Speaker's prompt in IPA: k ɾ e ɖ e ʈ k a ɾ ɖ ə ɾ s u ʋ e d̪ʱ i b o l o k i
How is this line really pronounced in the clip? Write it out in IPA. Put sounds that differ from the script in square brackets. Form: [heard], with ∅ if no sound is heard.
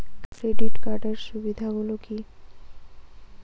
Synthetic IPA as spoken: k ɾ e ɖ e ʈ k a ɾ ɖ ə ɾ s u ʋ [i] d̪ʱ [a] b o l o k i